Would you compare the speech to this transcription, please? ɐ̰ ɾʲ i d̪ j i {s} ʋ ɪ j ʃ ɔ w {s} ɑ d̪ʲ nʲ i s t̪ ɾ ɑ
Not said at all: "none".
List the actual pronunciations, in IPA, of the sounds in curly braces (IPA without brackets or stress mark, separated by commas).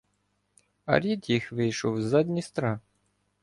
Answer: x, z